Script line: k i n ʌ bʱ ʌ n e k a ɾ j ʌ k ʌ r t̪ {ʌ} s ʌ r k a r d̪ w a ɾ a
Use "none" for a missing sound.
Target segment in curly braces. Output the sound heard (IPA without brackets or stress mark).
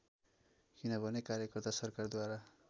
a